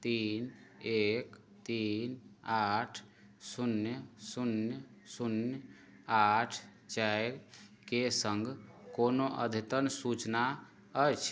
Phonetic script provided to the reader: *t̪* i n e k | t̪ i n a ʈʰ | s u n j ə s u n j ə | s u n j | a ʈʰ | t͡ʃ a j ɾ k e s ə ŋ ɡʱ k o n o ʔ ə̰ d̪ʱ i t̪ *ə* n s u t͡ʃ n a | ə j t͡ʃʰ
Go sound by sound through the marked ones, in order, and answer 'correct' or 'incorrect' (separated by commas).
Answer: correct, correct